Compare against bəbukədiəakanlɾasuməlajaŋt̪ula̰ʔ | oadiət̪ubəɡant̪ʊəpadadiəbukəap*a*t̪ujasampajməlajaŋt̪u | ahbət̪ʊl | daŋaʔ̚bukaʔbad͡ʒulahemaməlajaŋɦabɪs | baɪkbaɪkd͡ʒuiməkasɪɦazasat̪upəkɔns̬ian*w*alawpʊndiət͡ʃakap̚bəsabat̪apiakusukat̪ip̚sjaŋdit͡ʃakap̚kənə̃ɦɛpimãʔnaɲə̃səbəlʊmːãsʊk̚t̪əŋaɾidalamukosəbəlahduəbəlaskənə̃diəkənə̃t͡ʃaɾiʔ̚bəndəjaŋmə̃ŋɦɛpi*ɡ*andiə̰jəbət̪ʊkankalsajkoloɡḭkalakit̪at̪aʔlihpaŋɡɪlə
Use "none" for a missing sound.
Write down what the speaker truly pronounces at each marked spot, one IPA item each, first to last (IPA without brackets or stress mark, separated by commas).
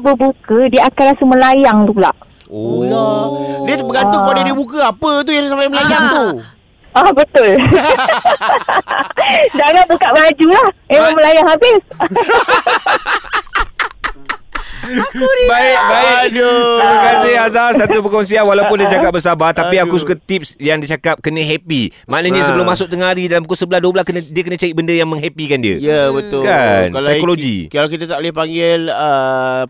ə, w, k